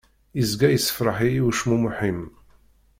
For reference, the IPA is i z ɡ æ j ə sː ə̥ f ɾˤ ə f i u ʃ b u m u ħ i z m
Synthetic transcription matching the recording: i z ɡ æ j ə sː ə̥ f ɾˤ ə ħ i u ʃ m u m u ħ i m